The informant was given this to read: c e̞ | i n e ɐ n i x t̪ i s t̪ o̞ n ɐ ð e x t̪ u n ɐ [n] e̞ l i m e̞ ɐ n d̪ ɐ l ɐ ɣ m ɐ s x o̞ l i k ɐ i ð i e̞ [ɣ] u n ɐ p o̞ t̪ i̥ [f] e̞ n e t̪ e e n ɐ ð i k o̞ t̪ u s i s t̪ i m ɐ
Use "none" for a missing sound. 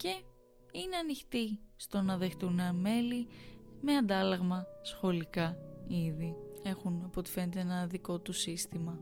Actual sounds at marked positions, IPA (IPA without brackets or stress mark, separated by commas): m, x, f